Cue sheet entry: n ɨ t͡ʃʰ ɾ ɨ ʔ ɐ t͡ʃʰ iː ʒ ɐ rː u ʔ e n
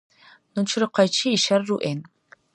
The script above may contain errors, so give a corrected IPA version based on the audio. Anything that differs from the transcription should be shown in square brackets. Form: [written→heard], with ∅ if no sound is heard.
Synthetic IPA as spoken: n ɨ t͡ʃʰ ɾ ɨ [ʔ→q] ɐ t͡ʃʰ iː [ʒ→ʃ] ɐ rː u ʔ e n